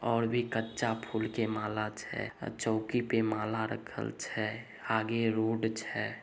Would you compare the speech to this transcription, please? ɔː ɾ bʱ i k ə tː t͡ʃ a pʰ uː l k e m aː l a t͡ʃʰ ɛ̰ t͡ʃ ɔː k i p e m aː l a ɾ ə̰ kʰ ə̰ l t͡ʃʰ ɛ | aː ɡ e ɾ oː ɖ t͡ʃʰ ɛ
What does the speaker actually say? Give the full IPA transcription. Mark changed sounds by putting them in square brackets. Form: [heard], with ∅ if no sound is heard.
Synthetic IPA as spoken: ɔː ɾ bʱ i k ə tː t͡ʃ a pʰ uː l k e m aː l a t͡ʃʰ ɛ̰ t͡ʃ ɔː k i p e m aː l a ɾ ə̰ kʰ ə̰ l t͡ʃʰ ɛ | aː ɡ e ɾ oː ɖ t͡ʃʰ ɛ